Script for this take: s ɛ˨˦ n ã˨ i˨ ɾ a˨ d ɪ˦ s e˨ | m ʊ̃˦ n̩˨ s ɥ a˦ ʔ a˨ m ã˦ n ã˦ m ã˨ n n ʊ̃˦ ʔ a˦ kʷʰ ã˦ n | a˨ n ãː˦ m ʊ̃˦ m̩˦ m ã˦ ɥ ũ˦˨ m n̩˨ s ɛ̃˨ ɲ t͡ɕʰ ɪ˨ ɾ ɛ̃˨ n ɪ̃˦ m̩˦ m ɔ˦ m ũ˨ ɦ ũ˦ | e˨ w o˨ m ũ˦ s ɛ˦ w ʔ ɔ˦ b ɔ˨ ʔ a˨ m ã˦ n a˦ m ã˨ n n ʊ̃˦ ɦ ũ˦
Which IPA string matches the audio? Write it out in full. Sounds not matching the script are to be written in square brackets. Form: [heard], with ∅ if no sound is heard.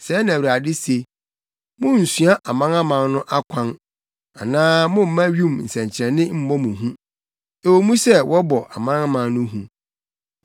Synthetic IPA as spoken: s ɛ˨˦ n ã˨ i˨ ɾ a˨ d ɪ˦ s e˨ | m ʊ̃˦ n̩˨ s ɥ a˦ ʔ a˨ m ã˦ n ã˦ m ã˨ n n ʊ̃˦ ʔ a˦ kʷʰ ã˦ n | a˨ n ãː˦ m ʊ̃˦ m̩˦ m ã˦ ɥ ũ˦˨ m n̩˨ s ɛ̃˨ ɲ t͡ɕʰ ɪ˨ ɾ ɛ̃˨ n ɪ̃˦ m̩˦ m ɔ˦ m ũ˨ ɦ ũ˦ | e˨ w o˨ m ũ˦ s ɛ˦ w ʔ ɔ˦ b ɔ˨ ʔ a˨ m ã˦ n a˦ m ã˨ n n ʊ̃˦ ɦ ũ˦

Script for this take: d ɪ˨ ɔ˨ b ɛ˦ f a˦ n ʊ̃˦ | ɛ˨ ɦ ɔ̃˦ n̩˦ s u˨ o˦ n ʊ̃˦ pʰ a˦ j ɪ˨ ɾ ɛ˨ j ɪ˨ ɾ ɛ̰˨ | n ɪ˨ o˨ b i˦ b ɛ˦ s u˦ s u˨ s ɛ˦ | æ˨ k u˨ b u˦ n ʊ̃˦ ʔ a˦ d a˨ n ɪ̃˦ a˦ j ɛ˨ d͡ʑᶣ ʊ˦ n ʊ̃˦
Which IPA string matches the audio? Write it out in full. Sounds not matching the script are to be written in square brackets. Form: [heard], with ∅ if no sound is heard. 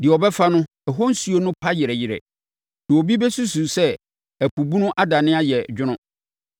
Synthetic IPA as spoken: d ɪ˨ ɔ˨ b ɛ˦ f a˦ n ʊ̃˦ | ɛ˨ ɦ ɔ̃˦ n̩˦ s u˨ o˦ n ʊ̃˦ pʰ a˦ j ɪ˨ ɾ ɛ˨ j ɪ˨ ɾ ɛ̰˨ | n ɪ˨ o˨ b i˦ b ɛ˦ s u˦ s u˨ s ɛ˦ | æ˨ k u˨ b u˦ n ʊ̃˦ ʔ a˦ d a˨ n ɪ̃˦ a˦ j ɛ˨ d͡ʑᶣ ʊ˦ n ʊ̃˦

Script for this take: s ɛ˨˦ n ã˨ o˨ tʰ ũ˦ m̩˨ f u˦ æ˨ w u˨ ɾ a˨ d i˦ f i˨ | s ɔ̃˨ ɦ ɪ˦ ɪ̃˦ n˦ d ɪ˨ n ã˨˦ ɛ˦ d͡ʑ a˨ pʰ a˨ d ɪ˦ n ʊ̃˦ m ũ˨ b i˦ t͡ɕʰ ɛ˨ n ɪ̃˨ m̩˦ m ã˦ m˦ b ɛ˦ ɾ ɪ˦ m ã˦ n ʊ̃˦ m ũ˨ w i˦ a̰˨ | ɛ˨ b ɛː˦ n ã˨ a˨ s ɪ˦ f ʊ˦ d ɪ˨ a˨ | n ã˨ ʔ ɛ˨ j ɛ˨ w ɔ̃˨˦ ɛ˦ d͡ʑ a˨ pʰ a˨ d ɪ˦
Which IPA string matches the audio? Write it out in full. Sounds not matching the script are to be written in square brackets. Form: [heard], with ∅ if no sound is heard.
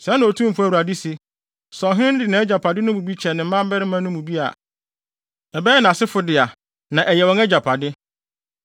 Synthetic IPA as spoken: s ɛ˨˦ n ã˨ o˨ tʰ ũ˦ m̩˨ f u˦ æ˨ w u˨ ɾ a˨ d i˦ [s] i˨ | s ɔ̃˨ ɦ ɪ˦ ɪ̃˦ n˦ d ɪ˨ n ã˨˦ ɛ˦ d͡ʑ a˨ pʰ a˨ d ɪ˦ n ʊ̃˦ m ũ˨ b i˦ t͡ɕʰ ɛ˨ n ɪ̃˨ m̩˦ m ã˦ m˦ b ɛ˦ ɾ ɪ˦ m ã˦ n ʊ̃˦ m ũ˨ [b] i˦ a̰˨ | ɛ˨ b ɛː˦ n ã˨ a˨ s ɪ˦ f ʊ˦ d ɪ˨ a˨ | n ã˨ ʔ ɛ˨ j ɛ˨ w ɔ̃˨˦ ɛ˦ d͡ʑ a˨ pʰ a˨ d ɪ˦

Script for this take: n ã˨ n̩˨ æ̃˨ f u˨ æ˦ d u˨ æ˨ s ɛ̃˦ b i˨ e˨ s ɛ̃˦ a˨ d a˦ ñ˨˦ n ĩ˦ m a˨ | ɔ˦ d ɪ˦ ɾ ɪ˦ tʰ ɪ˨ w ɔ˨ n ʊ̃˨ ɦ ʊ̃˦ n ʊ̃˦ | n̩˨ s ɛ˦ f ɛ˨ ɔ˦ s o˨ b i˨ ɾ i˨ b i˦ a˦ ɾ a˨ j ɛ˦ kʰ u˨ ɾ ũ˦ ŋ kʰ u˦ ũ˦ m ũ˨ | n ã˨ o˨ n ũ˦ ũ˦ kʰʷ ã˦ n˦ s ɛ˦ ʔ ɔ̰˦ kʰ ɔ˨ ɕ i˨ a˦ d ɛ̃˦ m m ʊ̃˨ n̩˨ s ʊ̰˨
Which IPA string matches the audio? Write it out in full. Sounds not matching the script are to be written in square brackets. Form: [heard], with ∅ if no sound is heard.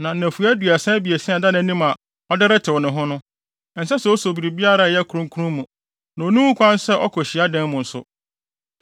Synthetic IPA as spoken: n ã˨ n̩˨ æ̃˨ f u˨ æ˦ d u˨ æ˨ s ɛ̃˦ b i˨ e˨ s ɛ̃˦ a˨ d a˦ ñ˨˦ n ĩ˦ m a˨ | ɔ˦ d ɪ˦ ɾ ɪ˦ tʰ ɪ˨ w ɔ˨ n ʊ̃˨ ɦ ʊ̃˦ n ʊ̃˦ | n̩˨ s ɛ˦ [s] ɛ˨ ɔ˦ s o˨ b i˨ ɾ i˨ b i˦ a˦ ɾ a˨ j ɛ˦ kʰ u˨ ɾ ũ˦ ŋ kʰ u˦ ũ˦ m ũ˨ | n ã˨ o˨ n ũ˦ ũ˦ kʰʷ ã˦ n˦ s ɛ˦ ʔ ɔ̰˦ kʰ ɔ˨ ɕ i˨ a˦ d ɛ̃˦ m m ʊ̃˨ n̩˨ s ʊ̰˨

